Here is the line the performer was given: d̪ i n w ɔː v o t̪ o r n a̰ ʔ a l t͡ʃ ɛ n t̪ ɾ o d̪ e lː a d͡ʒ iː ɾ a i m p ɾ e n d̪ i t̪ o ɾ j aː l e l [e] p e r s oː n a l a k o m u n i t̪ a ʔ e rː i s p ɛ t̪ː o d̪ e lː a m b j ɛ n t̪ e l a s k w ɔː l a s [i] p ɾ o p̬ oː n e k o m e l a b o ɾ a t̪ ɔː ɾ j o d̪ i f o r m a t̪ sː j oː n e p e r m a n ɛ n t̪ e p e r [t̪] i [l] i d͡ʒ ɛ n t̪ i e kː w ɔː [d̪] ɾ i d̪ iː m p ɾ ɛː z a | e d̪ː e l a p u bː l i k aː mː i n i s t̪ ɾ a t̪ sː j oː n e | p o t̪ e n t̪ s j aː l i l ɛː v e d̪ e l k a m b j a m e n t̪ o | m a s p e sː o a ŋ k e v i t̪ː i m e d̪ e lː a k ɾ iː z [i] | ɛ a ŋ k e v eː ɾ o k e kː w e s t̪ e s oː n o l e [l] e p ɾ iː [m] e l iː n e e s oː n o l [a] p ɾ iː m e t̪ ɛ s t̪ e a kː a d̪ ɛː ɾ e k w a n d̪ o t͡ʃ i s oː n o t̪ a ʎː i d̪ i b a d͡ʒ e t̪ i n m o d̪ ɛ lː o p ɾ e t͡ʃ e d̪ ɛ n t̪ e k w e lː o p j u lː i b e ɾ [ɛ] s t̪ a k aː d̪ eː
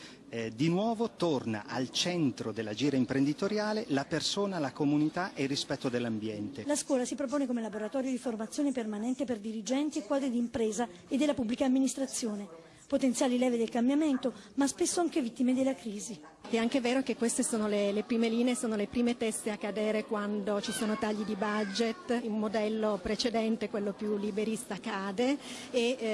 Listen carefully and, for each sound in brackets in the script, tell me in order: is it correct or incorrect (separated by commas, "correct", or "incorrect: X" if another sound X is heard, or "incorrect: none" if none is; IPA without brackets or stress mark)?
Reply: incorrect: a, correct, incorrect: d̪, incorrect: ɾ, correct, correct, correct, correct, incorrect: e, incorrect: i